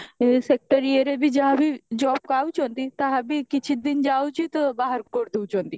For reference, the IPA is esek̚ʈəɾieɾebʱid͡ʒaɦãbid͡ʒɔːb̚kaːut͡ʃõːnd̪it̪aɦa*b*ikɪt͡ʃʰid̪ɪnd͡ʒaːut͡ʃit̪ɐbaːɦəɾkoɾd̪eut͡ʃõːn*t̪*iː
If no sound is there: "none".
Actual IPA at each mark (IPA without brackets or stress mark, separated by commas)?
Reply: b, d̪